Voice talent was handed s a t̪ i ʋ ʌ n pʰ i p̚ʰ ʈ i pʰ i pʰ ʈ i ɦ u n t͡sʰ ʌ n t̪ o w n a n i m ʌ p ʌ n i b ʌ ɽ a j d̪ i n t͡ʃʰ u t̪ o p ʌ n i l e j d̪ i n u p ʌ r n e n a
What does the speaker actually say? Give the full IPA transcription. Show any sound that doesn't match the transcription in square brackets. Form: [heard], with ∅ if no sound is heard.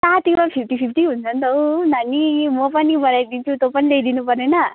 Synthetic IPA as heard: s a t̪ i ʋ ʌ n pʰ i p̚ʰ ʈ i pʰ i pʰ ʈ i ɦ u n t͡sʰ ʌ n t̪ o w n a n i m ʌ p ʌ n i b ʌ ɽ a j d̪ i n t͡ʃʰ u t̪ o p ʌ n i l e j d̪ i n u p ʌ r n e n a